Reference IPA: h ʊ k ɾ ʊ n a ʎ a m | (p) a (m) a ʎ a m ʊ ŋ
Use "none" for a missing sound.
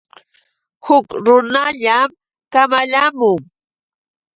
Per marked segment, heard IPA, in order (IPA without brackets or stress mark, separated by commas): k, m